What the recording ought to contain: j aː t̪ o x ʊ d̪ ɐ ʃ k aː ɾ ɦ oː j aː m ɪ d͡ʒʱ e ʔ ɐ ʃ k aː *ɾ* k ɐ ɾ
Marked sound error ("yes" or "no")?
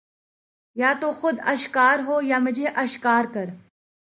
no